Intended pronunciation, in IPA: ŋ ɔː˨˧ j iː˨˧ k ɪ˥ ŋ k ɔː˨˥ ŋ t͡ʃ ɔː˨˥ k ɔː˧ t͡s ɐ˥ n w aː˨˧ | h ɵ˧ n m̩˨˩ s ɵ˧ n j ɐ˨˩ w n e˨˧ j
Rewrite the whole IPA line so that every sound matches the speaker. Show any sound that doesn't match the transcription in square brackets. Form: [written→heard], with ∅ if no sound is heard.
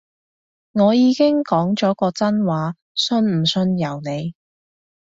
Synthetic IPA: ŋ ɔː˨˧ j iː˨˧ k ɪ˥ ŋ k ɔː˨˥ ŋ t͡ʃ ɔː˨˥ k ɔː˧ t͡s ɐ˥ n w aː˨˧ | [h→s] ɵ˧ n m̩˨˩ s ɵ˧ n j ɐ˨˩ w n e˨˧ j